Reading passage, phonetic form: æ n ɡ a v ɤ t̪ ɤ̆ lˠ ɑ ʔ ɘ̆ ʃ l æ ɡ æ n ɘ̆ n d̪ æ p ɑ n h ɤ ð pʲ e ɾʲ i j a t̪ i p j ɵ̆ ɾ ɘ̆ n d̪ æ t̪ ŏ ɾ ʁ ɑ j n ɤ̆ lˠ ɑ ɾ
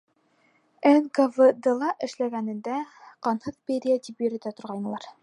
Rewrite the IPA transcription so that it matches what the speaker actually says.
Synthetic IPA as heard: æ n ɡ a v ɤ d̪ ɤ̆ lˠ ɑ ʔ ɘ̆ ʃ l æ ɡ æ n ɘ̆ n d̪ æ q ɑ n h ɤ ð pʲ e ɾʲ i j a t̪ i p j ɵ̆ ɾ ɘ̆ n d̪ æ t̪ ŏ ɾ ʁ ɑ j n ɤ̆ lˠ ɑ ɾ